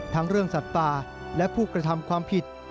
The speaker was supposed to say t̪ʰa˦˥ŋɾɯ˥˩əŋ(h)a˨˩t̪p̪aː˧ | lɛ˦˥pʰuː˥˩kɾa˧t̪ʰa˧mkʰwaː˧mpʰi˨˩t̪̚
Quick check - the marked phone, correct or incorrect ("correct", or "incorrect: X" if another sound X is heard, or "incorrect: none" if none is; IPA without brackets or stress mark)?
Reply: incorrect: s